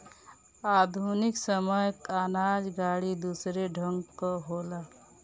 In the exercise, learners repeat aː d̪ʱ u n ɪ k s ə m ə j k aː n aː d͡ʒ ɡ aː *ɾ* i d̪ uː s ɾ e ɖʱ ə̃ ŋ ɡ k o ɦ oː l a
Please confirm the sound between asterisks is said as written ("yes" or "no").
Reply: no